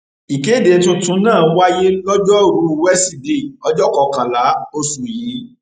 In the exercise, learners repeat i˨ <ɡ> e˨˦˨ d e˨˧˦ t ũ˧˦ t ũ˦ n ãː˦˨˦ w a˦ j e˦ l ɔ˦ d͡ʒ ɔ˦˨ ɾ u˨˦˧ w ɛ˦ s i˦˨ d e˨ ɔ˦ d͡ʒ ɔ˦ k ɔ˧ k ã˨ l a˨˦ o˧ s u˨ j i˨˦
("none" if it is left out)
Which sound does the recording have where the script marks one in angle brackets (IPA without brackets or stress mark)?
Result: k